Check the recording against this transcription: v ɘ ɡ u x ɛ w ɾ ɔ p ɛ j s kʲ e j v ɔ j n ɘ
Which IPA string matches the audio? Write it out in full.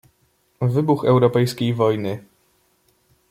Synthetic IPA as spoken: v ɘ b u x ɛ w ɾ ɔ p ɛ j s kʲ e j v ɔ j n ɘ